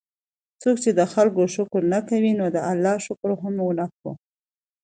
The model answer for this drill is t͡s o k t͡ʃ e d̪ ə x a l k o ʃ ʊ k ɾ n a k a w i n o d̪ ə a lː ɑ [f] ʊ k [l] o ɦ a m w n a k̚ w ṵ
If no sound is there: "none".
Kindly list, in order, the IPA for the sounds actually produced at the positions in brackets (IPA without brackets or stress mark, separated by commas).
ʃ, ɾ